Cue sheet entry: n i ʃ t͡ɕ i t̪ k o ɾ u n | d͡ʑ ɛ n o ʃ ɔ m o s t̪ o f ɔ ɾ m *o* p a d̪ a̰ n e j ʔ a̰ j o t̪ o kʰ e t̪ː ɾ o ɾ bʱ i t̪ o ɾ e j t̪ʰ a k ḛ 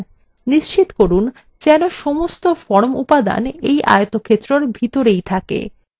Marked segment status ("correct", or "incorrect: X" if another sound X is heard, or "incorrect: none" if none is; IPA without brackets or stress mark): incorrect: u